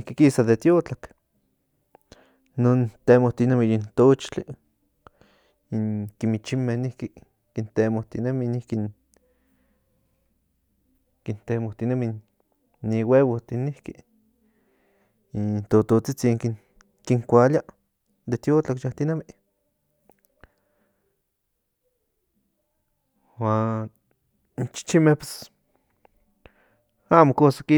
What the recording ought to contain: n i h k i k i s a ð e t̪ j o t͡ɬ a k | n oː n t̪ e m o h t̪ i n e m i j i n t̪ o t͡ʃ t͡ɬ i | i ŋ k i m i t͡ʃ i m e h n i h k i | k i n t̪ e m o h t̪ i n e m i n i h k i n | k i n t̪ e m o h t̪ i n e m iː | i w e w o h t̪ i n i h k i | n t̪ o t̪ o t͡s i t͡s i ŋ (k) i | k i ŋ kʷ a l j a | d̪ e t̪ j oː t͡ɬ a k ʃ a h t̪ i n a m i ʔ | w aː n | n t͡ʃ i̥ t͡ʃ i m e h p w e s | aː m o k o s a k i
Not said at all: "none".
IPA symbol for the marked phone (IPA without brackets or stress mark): k